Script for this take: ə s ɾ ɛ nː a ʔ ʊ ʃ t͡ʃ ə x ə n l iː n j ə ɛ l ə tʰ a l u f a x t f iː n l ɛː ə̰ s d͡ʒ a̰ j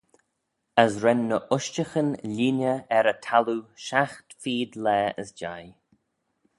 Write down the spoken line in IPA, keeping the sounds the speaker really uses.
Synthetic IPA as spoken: ə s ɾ ɛ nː ə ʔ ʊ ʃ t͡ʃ ə x ə n l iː n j ə ɛ ɾ ə tʰ a l u ʃ a x t f iː d l ɛː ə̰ s d͡ʒ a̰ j